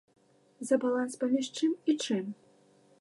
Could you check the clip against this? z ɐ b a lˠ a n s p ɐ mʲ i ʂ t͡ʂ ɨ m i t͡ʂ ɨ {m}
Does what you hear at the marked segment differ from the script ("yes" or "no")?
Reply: no